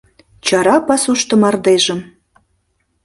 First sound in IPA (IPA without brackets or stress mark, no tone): t͡ɕ